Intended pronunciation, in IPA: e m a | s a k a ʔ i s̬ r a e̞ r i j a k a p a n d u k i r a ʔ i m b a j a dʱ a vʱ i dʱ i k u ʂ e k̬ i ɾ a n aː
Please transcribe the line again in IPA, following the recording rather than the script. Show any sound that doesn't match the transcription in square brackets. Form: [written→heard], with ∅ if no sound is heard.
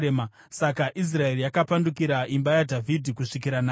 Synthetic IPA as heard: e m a | s a k a ʔ i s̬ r a e̞ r i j a k a p a n d u k i [r→ɾ] a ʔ i m b a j a dʱ a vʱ i dʱ i k u ʂ [e→i] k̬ i ɾ a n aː

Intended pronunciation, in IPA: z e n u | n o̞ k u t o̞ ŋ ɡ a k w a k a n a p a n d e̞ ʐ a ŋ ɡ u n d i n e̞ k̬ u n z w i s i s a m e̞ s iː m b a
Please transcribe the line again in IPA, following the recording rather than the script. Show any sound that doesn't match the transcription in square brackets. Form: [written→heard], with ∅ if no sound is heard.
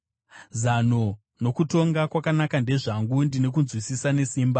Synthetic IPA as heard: z [e→a] n [u→o] | n o̞ k u t o̞ ŋ ɡ a k w a k a n a [p→k] a n d e̞ ʐ a ŋ ɡ u n d i n e̞ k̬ u n z w i s i s a [m→n] e̞ s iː m b a

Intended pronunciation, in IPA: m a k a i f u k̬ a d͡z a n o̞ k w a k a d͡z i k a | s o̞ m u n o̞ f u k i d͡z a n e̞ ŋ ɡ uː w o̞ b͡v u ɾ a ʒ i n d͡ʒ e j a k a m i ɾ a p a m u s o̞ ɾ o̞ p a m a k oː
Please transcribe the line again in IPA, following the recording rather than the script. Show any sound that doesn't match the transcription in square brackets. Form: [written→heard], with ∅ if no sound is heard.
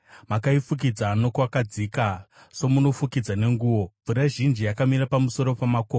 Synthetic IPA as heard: m a k a i f u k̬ [a→i] d͡z a n o̞ k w a k a d͡z i k a | s o̞ m u n o̞ f u k i d͡z a n e̞ ŋ ɡ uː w o̞ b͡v u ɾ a ʒ i n d͡ʒ [e→i] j a k a m i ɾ a p a m u s o̞ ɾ o̞ p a m a k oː

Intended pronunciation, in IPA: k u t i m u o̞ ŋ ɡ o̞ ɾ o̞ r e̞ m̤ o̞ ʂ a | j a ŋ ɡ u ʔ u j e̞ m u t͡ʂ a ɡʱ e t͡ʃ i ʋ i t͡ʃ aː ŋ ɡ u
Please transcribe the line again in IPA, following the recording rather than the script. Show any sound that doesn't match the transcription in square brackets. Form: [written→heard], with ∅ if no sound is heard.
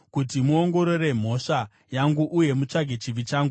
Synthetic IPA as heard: k u t i m u o̞ ŋ ɡ o̞ ɾ o̞ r e̞ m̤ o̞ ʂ a | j a ŋ ɡ u ʔ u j e̞ m u t͡ʂ a ɡʱ e t͡ʃ i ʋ i t͡ʃ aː ŋ ɡ u

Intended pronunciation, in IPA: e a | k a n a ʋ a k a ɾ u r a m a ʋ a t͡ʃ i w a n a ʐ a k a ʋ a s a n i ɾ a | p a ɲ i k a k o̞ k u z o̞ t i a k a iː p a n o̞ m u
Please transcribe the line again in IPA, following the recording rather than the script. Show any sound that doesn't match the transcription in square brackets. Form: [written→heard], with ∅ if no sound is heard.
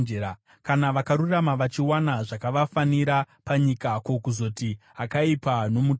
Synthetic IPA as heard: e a | k a n a ʋ a k a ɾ u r a m a ʋ a t͡ʃ i w a n a ʐ a k a ʋ a [s→f] a n i ɾ a | p a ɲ i k a k o̞ k u z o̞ t i a k a [iː→i] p a n o̞ m u

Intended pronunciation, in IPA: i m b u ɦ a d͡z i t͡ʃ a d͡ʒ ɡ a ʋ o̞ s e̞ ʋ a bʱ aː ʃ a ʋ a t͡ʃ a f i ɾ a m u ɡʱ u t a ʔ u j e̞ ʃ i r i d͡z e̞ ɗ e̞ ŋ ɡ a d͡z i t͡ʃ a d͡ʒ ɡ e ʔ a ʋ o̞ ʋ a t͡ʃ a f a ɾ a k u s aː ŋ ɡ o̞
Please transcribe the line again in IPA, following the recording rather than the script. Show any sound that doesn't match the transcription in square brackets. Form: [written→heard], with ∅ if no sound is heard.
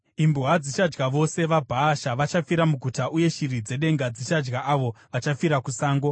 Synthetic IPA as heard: i m b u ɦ a d͡z i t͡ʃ a d͡ʒ ɡ a ʋ o̞ s e̞ ʋ a bʱ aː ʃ a ʋ a t͡ʃ a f i ɾ a m u ɡʱ u t a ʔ u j e̞ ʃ i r i d͡z e̞ ɗ e̞ ŋ ɡ a d͡z i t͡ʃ a d͡ʒ ɡ [e→a] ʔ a ʋ o̞ ʋ a t͡ʃ a f [a→i] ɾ a k u s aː ŋ ɡ o̞

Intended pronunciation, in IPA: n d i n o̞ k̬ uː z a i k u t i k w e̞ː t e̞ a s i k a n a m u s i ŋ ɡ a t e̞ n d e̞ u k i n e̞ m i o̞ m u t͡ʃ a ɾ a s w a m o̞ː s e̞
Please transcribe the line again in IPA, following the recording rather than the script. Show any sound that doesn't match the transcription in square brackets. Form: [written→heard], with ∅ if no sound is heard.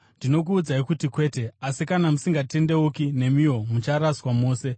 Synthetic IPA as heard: n d i n o̞ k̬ uː [z→d͡z] a i k u t i k w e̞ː t e̞ a s i k a n a m u s i ŋ ɡ a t e̞ n d e̞ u k i n e̞ m i o̞ m u t͡ʃ a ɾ a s w a m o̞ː s e̞

